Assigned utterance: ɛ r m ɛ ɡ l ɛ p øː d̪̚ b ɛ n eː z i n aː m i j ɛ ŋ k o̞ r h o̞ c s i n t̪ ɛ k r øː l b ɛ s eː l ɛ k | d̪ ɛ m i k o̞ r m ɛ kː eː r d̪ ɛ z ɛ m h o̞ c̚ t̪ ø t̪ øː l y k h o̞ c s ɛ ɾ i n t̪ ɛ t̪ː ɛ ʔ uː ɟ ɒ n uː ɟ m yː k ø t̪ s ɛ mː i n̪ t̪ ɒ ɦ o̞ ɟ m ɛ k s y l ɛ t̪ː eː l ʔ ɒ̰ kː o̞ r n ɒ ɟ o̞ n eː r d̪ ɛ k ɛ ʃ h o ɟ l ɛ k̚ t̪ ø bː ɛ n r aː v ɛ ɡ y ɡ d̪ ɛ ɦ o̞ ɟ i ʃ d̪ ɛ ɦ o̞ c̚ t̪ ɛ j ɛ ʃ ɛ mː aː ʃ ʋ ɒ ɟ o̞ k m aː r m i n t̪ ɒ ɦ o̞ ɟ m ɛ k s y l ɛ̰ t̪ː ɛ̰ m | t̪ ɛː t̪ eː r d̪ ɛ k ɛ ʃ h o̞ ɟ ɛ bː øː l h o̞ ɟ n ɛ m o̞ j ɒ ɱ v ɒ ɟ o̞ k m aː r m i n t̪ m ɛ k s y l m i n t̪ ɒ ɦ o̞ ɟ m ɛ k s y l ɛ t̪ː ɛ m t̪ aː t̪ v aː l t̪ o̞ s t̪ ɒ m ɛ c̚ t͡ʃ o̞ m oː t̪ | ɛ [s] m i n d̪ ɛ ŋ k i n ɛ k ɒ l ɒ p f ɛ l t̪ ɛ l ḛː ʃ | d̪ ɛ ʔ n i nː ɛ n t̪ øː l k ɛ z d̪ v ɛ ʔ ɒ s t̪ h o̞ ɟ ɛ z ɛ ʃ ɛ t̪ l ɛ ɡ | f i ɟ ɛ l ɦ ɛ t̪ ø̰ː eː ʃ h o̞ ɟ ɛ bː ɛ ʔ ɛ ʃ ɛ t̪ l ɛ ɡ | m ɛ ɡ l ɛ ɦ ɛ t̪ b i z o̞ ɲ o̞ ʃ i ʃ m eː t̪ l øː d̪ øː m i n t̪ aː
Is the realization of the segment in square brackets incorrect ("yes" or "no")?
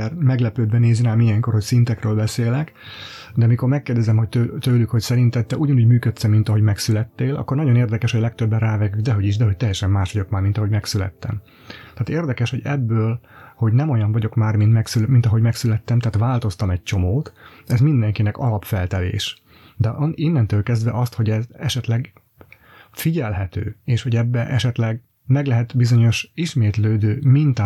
yes